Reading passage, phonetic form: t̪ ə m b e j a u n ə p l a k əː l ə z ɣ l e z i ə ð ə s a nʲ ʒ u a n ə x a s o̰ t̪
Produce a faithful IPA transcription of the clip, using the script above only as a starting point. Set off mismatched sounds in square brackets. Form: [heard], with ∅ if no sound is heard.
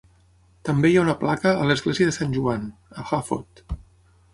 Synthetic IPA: t̪ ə m b e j a u n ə p l a k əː l ə z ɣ l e z i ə ð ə s a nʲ ʒ u a n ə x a [f] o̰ t̪

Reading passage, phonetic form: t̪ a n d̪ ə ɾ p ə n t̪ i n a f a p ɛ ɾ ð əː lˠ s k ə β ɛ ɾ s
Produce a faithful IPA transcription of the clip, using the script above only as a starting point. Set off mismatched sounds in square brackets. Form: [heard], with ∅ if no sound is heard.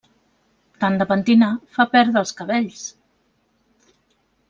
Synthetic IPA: t̪ a n d̪ ə [∅] p ə n t̪ i n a f a p ɛ ɾ ð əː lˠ s k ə β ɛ [ʎ] s

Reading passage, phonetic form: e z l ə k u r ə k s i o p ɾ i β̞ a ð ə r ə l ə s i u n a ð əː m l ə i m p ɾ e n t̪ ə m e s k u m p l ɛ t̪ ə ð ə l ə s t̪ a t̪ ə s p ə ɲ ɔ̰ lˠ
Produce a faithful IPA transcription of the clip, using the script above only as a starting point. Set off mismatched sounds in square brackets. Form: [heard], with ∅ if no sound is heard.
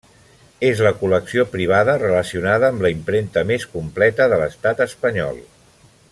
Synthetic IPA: e z l ə k u [l] ə k s i o p ɾ i β̞ a ð ə r ə l ə s i u n a ð əː m l ə i m p ɾ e n t̪ ə m e s k u m p l ɛ t̪ ə ð ə l ə s t̪ a t̪ ə s p ə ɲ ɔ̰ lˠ

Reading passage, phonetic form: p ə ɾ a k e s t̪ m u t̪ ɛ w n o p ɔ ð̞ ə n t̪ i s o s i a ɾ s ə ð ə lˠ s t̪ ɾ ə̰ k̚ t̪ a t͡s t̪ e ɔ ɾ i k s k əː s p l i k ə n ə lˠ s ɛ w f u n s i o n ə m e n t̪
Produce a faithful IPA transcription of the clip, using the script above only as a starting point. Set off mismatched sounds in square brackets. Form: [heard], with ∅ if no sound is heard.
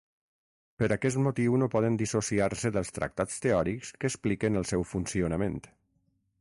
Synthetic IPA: p ə ɾ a k [ɛ] s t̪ m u t̪ [i] w n o p ɔ ð̞ ə n [d̪] i s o s i a ɾ s ə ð ə lˠ s t̪ ɾ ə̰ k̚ t̪ a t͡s t̪ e ɔ ɾ i k s k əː s p l i k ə n ə lˠ s ɛ w f u n s i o n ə m e n t̪

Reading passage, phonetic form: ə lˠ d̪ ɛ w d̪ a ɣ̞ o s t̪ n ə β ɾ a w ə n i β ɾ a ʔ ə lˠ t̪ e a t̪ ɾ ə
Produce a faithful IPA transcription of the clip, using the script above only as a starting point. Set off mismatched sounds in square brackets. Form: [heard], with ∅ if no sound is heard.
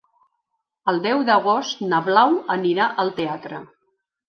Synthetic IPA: ə lˠ d̪ ɛ w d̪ [ə] ɣ̞ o s t̪ n ə β [l] a w ə n i [∅] ɾ a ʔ ə lˠ t̪ e a t̪ ɾ ə

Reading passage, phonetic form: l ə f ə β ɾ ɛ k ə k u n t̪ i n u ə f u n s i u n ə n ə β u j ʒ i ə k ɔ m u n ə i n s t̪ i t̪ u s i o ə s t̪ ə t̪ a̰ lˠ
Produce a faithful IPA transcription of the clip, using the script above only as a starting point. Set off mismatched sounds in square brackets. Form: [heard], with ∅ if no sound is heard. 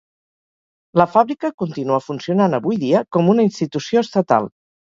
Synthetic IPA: l ə f [a] β ɾ [i] k ə k u n t̪ i n u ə f u n s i u n [a] n ə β u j [ð] i ə k ɔ m u n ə i n s t̪ i t̪ u s i o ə s t̪ ə t̪ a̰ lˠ

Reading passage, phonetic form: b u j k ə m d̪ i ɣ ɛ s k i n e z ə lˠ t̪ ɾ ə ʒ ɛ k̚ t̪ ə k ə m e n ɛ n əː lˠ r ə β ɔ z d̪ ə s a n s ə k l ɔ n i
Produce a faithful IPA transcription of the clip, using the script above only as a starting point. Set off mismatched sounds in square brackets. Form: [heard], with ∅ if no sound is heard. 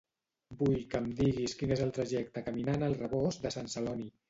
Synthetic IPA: b u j k ə m d̪ i ɣ [i] s k i n e z ə lˠ t̪ ɾ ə ʒ ɛ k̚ t̪ ə k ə m [i] n [a] n [ə] lˠ r ə β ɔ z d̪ ə s a n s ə [∅] l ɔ n i

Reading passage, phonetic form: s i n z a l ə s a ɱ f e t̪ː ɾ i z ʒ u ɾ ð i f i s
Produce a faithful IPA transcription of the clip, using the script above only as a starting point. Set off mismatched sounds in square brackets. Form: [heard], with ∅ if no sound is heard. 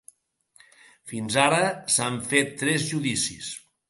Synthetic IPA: [f] i n z a [ɾ] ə s a ɱ f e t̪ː ɾ [ɛ] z ʒ u [∅] ð i [s] i s

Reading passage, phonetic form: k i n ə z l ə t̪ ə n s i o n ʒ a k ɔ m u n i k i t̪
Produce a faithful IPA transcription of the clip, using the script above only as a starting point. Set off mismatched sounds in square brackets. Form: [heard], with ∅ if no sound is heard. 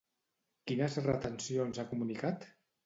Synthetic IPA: k i n ə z [r] ə t̪ ə n s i o n [z] a k [u] m u n i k [a] t̪

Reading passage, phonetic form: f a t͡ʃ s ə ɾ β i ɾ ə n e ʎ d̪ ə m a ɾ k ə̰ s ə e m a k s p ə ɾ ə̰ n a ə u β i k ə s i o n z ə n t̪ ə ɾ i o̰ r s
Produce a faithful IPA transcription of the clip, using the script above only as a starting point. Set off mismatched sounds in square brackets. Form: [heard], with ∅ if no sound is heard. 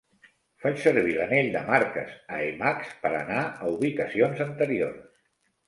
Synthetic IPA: f a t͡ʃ s ə ɾ β i [l] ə n e ʎ d̪ ə m a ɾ k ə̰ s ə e m a k s p ə ɾ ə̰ n a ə u β i k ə s i o n z ə n t̪ ə ɾ i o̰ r s

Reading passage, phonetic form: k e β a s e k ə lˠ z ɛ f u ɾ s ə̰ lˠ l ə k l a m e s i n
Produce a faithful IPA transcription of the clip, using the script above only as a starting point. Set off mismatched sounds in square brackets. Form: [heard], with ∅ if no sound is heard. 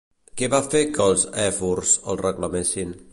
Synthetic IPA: k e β a [f] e k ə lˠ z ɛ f u ɾ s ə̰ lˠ [r] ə k l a m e s i n

